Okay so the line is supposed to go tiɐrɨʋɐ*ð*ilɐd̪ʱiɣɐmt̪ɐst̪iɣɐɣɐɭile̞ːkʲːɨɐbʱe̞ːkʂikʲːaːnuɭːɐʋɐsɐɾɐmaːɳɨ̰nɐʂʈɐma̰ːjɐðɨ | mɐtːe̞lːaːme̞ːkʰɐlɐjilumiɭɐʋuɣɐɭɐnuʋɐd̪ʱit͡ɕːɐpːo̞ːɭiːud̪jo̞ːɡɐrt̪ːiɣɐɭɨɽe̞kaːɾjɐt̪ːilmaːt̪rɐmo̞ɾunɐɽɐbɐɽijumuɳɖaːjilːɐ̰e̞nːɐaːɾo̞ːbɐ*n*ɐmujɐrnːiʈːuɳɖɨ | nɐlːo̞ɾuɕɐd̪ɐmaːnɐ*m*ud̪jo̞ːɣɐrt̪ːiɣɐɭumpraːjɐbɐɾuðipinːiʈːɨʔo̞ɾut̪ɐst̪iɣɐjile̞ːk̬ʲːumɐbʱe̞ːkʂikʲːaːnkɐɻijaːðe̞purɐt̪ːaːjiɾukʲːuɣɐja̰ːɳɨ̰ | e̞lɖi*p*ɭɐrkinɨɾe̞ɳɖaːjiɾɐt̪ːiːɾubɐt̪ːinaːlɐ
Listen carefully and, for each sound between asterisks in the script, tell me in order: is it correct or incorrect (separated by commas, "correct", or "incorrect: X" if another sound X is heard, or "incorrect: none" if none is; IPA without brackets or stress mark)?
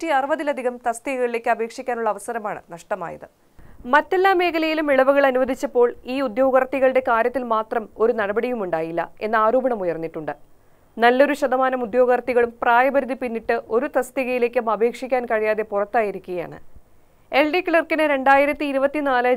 correct, incorrect: ɳ, correct, incorrect: k